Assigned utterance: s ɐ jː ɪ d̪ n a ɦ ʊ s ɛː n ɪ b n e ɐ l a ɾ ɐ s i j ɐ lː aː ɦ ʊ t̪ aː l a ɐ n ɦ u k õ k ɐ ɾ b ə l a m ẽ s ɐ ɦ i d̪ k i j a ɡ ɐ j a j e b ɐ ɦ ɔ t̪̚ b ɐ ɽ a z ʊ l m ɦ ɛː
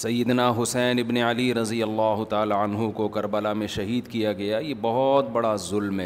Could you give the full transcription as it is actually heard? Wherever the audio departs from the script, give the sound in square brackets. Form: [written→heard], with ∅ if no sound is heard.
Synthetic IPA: s ɐ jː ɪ d̪ n a ɦ ʊ s ɛː n ɪ b n e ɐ l [a→i] ɾ ɐ [s→z] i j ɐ lː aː ɦ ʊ t̪ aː l a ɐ n ɦ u k [õ→o] k ɐ ɾ b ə l a m ẽ [s→ʃ] ɐ ɦ [i→iː] d̪ k i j a ɡ ɐ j a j e b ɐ ɦ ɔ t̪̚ b ɐ ɽ a z ʊ l m ɦ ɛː